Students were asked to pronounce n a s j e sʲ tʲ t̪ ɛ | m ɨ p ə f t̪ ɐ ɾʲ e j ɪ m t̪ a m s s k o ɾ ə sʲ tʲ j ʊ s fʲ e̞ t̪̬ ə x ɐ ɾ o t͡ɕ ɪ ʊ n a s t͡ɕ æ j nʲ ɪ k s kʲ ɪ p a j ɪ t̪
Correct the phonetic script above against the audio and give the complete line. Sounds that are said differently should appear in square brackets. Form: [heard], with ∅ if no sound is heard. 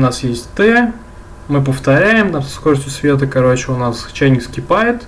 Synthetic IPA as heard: n a s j e sʲ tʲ t̪ ɛ | m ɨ p ə f t̪ ɐ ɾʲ [æ] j ɪ m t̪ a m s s k o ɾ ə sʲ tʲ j ʊ s [vʲ] e̞ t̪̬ ə [k] ɐ ɾ o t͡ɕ ɪ ʊ n a s t͡ɕ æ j nʲ ɪ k s kʲ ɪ p a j ɪ t̪